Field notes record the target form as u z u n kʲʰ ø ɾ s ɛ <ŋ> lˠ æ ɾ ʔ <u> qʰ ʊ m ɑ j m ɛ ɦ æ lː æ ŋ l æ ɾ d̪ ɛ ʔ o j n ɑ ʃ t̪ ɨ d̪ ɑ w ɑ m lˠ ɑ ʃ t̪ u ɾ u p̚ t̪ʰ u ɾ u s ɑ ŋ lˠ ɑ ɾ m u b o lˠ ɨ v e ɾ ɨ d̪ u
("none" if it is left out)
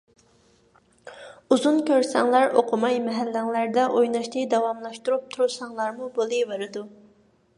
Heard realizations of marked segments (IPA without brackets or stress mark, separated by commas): ŋ, o